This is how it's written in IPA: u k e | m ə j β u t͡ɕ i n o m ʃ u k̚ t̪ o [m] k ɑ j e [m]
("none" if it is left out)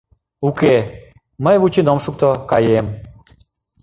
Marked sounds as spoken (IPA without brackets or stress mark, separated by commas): none, m